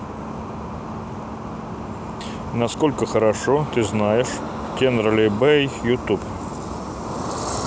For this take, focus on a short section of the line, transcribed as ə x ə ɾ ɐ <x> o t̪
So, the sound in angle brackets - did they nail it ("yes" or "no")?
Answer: no